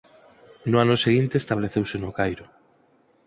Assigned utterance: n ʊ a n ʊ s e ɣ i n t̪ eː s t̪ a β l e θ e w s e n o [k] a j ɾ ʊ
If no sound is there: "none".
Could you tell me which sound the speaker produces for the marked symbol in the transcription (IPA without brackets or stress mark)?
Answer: k